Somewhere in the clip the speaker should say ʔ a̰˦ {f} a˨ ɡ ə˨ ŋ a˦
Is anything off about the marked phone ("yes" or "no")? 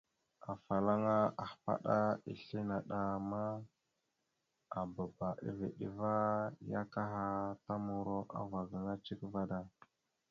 yes